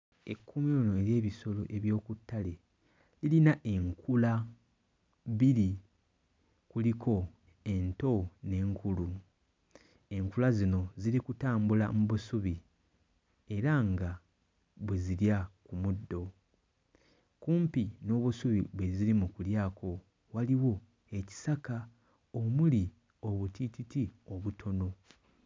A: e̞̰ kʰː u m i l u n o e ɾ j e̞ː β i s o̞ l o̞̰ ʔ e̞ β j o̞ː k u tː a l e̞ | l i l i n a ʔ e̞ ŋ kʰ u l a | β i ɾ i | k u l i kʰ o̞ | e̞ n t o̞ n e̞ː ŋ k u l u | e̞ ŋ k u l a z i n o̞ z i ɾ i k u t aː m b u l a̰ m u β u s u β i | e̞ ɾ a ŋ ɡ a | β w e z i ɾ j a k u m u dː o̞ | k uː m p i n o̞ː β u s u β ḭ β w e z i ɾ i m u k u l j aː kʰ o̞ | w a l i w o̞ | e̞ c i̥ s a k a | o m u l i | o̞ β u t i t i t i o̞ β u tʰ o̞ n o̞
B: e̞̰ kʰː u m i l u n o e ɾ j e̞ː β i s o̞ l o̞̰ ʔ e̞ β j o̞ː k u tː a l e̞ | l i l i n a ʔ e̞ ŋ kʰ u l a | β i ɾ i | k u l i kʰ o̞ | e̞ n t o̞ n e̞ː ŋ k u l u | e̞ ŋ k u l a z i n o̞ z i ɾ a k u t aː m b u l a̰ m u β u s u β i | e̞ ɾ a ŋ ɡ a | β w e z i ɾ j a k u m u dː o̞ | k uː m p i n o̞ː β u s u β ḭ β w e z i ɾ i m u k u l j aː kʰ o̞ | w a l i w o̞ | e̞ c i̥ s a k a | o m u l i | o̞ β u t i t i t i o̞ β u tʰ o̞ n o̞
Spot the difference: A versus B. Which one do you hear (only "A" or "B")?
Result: A